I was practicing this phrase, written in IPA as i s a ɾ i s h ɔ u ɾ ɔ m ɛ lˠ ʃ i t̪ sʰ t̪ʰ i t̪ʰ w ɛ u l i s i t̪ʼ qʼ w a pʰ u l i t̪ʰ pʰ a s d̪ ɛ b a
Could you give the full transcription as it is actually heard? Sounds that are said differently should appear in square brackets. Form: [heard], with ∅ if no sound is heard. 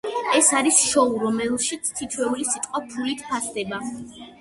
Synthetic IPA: [ɛ] s a ɾ i s [ʃ] ɔ u ɾ ɔ m ɛ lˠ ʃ i t̪ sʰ t̪ʰ i t̪ʰ w ɛ u l i s i t̪ʼ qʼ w a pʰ u l i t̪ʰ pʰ a s d̪ ɛ b a